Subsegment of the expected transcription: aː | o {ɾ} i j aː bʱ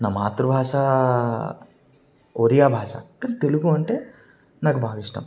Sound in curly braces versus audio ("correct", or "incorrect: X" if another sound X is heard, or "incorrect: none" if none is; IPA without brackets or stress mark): correct